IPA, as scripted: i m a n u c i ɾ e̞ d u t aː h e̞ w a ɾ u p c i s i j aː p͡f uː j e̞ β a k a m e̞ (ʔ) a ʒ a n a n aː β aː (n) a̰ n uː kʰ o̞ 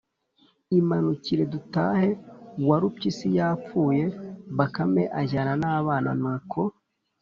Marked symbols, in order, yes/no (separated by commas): yes, yes